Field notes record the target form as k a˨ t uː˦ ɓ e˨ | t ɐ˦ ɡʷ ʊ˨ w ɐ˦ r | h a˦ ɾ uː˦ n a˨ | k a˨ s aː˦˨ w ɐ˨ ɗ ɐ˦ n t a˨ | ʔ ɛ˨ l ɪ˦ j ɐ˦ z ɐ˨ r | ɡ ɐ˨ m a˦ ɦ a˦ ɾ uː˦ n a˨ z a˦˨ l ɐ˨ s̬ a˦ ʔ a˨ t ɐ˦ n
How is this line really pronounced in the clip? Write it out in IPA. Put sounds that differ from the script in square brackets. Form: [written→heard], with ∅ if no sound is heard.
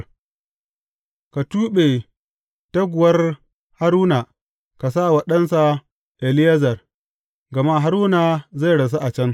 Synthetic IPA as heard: k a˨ t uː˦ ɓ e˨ | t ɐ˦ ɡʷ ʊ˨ w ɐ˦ r | h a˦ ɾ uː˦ n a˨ | k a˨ s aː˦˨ w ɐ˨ ɗ ɐ˦ n [t→s] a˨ | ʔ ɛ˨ l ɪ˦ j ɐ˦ z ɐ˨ r | ɡ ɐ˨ m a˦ ɦ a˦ ɾ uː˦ n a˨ z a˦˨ [l→ɽ] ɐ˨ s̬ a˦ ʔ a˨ [t→t͡ʃ] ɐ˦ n